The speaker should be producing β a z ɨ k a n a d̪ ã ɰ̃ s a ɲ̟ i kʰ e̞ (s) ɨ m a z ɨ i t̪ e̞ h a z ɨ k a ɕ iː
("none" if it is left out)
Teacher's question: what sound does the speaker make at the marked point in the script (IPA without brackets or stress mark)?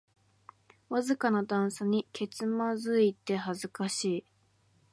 t͡s